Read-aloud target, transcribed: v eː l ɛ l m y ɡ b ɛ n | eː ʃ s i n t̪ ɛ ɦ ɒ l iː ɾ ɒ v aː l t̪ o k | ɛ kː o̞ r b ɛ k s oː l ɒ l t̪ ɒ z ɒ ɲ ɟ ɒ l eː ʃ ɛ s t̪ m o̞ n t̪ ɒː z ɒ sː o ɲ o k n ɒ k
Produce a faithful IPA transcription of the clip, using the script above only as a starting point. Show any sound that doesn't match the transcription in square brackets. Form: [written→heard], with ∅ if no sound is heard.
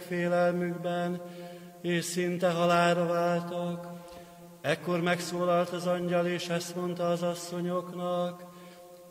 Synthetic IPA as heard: [v→f] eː l ɛ l m y ɡ b ɛ n | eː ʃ s i n t̪ ɛ ɦ ɒ l [iː→aː] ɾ ɒ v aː l t̪ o k | ɛ kː o̞ r [b→m] ɛ k s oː l ɒ l t̪ ɒ z ɒ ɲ ɟ ɒ l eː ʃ ɛ s t̪ m o̞ n t̪ ɒː z ɒ sː o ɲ o k n ɒ k